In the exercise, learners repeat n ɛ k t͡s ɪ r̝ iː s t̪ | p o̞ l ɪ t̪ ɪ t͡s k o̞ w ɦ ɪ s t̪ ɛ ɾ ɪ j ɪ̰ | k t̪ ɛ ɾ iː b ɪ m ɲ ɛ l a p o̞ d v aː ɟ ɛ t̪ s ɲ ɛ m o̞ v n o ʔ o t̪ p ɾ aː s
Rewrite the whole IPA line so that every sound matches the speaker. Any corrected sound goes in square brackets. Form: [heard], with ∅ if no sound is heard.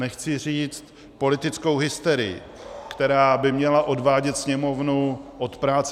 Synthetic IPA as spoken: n ɛ [x] t͡s ɪ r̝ iː [t͡s] t̪ | p o̞ l ɪ t̪ ɪ t͡s k o̞ w ɦ ɪ s t̪ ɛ ɾ ɪ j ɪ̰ | k t̪ ɛ ɾ [aː] b ɪ m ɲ ɛ l a [ʔ] o̞ d v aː ɟ ɛ t̪ s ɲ ɛ m o̞ v n [u] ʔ o t̪ p ɾ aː [t͡s]